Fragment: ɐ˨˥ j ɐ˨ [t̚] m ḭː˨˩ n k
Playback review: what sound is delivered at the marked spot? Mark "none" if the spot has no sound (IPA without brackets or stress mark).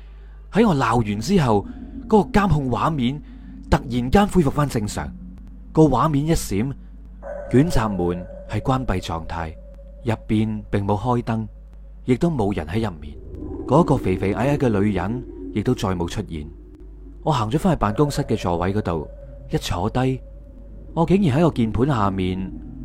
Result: p̚